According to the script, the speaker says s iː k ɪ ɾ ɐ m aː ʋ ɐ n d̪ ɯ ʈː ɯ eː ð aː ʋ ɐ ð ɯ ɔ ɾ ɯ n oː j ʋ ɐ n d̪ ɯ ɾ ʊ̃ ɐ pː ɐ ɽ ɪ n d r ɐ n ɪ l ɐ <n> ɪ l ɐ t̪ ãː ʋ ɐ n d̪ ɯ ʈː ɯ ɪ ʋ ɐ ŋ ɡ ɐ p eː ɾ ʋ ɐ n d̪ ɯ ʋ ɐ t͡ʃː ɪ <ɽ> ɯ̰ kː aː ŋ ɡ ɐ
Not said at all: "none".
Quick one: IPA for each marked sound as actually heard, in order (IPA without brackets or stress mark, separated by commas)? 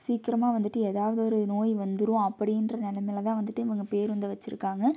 m, ɾ